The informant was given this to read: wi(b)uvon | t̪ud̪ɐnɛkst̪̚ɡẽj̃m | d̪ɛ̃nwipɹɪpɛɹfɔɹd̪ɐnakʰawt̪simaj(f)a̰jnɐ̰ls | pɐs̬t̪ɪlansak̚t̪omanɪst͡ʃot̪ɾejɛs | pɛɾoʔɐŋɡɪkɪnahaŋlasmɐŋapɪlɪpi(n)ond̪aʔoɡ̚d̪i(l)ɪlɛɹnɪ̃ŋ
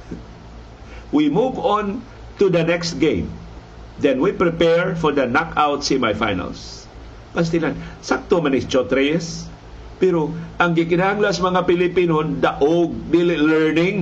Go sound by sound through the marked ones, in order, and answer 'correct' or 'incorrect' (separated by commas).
incorrect, correct, correct, correct